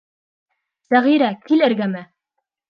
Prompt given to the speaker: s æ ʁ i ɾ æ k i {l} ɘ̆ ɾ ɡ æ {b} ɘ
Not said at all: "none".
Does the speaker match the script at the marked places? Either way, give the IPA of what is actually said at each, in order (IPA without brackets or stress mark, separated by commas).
l, m